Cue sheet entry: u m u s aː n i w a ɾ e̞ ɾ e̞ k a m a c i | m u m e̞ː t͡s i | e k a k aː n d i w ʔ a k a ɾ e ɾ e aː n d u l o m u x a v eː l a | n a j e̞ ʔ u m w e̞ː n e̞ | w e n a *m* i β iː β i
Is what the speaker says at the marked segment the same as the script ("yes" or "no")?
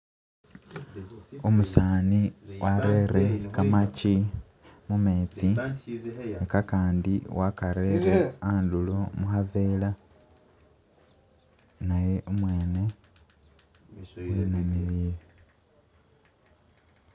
yes